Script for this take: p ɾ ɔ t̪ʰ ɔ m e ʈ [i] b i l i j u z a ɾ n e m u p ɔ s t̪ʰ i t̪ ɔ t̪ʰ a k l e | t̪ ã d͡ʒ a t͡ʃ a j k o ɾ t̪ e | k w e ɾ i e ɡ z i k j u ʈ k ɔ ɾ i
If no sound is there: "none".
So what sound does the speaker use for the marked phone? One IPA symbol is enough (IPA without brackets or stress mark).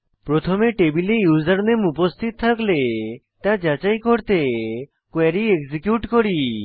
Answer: e